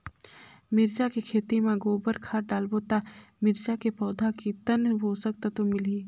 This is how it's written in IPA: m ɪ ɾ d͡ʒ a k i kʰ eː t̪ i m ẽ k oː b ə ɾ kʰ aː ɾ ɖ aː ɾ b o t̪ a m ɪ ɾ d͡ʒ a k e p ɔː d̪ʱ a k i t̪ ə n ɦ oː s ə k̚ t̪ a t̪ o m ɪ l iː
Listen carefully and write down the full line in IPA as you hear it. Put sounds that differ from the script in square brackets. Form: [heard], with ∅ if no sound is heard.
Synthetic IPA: m ɪ ɾ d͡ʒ a k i kʰ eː t̪ i m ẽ [ɡ] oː b ə ɾ kʰ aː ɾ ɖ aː [l] b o t̪ a m ɪ ɾ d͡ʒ a k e p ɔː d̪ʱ a k i t̪ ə n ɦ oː s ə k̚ t̪ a t̪ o m ɪ l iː